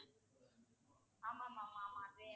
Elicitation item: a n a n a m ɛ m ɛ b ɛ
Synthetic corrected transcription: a m a m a m a m a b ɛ